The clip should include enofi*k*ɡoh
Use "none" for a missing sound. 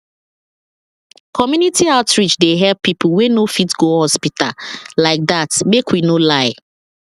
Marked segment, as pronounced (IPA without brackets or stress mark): t